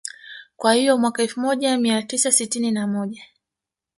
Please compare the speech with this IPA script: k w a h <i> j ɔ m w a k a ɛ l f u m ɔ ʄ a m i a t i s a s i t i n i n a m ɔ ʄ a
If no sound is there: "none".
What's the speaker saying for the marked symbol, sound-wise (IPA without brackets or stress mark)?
i